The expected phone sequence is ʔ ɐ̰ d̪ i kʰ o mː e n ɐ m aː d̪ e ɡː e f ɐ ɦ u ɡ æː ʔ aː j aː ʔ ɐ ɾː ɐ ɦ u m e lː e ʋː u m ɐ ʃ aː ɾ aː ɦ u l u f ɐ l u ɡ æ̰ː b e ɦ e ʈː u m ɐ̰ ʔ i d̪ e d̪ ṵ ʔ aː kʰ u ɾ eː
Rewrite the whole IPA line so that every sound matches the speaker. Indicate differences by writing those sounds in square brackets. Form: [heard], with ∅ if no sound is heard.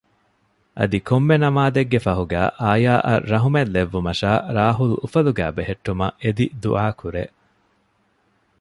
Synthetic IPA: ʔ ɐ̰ d̪ i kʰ o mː e n ɐ m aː d̪ e ɡː e f ɐ ɦ u ɡ æː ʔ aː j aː ʔ ɐ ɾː ɐ ɦ u m e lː e ʋː u m ɐ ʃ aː ɾ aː ɦ u l u f ɐ l u ɡ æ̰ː b e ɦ e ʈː u m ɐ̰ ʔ [e] d̪ [i] d̪ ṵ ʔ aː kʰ u ɾ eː